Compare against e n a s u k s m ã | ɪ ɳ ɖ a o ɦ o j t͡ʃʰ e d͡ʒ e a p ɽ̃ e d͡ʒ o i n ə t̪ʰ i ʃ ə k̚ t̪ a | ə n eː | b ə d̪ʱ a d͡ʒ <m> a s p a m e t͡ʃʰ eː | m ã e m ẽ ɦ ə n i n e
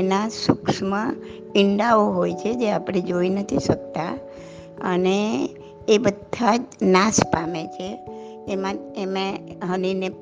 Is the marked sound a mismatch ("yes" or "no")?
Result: yes